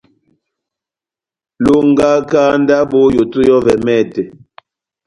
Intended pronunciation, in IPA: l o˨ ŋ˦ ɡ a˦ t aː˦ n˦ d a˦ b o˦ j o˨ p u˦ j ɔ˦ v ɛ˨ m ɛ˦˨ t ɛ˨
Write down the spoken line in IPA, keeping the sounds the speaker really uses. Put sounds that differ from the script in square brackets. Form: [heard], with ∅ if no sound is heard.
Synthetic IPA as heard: l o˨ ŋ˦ ɡ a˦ [k] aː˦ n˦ d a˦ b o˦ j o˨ [t] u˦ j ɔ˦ v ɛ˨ m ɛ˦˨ t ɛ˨